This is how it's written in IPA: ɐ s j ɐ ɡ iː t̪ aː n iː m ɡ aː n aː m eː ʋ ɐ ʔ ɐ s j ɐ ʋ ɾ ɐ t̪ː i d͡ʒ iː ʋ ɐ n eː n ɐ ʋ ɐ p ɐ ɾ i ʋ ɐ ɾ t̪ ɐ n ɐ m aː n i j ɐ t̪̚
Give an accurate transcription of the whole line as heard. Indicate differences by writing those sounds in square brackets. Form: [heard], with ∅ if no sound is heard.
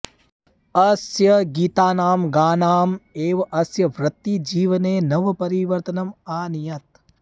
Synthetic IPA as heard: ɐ s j ɐ ɡ iː t̪ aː n [aː] m ɡ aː n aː m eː ʋ ɐ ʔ ɐ s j ɐ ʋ ɾ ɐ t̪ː i d͡ʒ iː ʋ ɐ n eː n ɐ ʋ ɐ p ɐ ɾ i ʋ ɐ ɾ t̪ ɐ n ɐ m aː n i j ɐ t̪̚